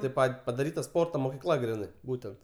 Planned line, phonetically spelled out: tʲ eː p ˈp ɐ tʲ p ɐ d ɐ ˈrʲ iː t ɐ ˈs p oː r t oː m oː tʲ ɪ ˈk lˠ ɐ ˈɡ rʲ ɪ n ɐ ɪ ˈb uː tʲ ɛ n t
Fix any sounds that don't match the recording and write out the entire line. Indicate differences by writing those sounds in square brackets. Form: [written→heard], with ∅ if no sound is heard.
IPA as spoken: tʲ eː p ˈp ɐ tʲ p ɐ d ɐ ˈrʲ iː t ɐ ˈs p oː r t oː m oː [tʲ→kʲ] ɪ ˈk lˠ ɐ ˈɡ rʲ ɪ n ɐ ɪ ˈb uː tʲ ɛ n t